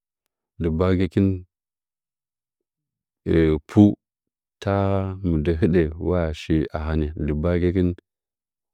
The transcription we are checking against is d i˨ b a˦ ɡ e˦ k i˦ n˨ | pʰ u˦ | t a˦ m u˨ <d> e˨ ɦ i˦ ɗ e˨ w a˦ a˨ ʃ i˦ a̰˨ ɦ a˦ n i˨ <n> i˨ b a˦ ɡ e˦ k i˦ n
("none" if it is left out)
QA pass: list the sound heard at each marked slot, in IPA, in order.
d, d

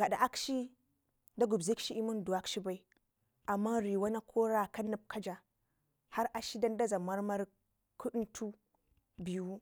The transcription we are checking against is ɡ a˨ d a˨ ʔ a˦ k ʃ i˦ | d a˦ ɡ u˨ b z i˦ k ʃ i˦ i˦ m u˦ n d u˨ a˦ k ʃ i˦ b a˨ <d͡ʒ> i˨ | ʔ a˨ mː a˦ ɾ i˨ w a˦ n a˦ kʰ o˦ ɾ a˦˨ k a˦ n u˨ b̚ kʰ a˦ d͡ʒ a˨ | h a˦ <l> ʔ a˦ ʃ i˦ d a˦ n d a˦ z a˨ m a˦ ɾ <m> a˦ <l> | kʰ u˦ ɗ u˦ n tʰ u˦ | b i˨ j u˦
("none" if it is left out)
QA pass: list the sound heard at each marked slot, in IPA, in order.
none, ɾ, m, ɾ

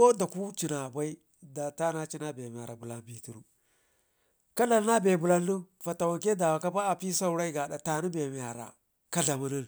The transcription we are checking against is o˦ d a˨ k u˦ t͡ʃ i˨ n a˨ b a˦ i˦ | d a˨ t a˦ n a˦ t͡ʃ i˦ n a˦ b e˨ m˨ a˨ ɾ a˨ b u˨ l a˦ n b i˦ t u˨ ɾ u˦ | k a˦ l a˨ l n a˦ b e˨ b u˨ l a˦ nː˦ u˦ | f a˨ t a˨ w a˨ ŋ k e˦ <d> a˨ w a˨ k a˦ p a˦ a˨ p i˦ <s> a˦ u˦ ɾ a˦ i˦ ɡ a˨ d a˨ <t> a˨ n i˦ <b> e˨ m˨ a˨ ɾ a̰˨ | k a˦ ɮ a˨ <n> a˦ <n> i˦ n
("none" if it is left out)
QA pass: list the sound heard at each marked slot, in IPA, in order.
d, s, t, b, m, n

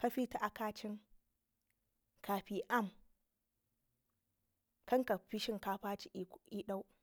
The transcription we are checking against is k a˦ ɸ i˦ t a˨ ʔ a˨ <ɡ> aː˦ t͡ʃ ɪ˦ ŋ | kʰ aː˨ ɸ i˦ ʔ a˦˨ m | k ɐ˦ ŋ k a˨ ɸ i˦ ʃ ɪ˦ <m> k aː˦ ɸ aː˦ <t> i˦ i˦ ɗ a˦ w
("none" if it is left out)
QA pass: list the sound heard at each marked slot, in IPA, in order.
k, ŋ, t͡ʃ

